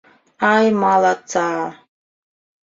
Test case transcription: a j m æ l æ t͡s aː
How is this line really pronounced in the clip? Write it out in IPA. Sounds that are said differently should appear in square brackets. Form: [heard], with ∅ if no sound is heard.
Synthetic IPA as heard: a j m [a] l [a] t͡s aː

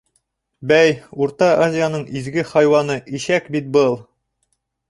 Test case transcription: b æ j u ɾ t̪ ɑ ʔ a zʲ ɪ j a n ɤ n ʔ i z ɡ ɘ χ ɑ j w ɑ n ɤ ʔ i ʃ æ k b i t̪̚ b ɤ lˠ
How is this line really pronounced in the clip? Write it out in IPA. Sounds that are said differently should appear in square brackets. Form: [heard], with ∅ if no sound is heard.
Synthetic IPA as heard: b æ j u ɾ t̪ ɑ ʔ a zʲ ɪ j a n ɤ [ɴ] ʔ i z ɡ ɘ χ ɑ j w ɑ n ɤ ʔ i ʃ æ k b i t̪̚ b ɤ lˠ

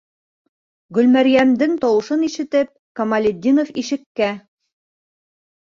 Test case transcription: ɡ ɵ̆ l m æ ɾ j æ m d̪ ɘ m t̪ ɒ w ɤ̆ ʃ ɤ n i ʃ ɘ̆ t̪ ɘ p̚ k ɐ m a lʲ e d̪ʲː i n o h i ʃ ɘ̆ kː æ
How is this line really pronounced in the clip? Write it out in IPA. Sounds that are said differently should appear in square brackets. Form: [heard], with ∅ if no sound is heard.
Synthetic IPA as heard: ɡ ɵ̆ l m æ ɾ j æ m d̪ ɘ [ŋ] t̪ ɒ w ɤ̆ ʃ ɤ n i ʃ ɘ̆ t̪ ɘ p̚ k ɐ m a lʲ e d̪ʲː i n o [f] i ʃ ɘ̆ kː æ

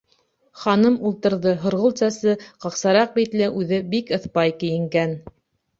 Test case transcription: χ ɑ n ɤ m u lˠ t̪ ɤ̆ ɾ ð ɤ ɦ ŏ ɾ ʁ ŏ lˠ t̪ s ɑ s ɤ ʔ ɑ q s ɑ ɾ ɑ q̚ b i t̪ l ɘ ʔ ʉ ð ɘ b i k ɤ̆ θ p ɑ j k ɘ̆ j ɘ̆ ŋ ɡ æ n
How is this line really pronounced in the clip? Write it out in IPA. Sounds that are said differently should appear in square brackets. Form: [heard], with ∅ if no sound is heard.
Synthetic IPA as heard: χ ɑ n ɤ m u lˠ t̪ ɤ̆ ɾ ð ɤ ɦ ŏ ɾ ʁ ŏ lˠ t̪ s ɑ s ɤ [q] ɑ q s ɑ ɾ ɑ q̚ b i t̪ l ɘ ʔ ʉ ð ɘ b i k ɤ̆ θ p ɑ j k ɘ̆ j ɘ̆ ŋ ɡ æ n

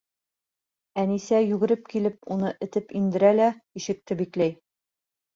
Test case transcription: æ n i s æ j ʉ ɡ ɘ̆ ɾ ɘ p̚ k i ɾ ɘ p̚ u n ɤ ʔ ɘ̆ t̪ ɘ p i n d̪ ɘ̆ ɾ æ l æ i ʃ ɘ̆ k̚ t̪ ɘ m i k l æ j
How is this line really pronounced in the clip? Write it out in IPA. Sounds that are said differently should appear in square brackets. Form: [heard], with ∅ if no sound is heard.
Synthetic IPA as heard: æ n i s æ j ʉ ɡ ɘ̆ ɾ ɘ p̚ k i [l] ɘ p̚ u n ɤ ʔ ɘ̆ t̪ ɘ p i n d̪ ɘ̆ ɾ æ l æ i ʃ ɘ̆ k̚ t̪ ɘ [b] i k l æ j

